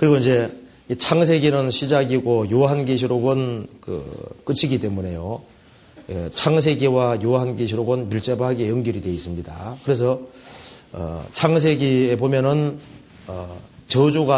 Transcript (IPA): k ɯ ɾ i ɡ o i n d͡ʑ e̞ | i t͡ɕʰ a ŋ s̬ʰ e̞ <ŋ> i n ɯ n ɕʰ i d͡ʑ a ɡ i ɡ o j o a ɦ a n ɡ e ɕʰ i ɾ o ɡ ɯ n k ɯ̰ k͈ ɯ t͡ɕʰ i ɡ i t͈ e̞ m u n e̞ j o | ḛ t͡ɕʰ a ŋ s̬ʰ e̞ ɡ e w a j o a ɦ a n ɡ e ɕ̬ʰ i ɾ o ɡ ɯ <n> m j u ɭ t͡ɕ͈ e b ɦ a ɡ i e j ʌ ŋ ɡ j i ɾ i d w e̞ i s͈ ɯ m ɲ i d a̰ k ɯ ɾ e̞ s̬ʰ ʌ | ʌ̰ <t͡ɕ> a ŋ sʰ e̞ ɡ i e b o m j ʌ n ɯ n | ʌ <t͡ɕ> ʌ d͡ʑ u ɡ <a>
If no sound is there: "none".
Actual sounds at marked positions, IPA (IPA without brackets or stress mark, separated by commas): ɡ, n, t͡ɕʰ, t͡ɕ, a